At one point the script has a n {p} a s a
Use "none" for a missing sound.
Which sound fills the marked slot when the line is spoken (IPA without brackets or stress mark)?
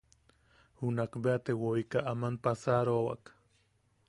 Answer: p